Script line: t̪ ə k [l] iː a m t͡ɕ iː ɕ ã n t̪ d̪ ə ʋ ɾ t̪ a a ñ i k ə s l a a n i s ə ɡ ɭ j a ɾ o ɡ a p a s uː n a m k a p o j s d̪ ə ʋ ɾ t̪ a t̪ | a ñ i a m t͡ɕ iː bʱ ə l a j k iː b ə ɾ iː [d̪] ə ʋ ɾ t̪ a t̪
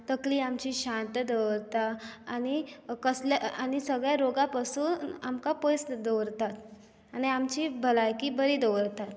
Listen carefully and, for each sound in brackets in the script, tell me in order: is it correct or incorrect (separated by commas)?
correct, correct